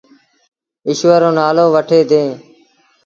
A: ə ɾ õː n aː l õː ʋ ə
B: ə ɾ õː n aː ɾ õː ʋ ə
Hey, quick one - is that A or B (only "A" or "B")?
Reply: A